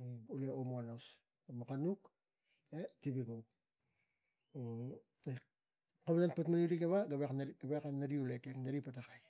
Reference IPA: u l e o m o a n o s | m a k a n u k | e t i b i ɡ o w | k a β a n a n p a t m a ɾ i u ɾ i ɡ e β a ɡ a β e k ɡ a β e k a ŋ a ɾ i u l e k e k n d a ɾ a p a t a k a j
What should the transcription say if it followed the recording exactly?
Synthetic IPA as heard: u l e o m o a n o s | m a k a n u k | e t i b i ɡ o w | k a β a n a n p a t m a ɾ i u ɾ i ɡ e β a ɡ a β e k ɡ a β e k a n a ɾ i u l e k e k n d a ɾ i p a t a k a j